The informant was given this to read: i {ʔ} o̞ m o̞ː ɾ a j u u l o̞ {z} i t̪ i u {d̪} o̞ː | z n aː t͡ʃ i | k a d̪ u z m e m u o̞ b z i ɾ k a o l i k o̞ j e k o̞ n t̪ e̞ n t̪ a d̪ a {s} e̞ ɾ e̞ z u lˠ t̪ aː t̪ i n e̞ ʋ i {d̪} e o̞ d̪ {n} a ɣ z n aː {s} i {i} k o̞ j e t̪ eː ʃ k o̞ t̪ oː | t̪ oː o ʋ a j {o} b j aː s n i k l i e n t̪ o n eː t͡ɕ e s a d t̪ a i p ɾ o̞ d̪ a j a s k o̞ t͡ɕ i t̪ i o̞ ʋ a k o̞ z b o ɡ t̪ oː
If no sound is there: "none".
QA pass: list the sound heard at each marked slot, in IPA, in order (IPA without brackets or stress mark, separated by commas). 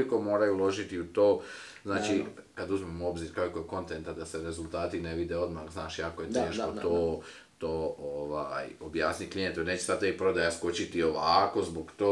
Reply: k, ʒ, t̪, s, d̪, m, ʃ, a, o